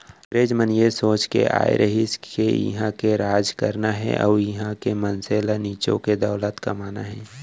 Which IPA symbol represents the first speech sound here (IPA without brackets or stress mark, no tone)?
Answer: ɾ